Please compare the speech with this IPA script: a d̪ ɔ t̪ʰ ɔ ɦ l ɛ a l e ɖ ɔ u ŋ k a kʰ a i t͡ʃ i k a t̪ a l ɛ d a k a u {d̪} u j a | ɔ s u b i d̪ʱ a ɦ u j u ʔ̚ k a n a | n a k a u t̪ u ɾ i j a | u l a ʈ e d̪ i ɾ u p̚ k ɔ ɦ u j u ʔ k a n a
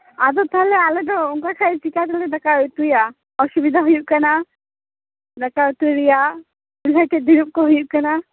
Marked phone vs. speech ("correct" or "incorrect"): incorrect